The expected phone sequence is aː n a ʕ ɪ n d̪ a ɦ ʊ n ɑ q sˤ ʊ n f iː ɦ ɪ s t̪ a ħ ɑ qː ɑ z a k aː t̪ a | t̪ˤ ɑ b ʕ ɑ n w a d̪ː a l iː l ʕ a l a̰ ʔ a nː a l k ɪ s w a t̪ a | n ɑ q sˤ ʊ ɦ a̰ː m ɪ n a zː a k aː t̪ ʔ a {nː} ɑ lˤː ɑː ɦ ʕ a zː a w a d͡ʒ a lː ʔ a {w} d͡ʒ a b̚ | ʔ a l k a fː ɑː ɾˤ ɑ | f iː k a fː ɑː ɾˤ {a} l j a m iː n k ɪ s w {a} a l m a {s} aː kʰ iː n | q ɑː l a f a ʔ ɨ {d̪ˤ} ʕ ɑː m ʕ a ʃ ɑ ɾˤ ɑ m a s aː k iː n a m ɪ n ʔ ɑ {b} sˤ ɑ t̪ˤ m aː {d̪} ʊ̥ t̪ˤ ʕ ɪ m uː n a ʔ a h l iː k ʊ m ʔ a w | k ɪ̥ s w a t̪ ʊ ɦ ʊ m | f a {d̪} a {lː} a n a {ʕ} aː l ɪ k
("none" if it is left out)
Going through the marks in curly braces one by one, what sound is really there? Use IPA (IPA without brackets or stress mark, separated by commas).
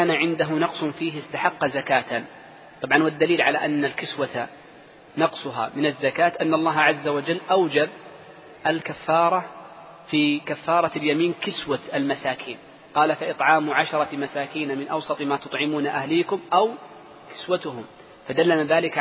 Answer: nː, w, ɑ, a, s, t̪ˤ, w, t̪, d̪, lː, ð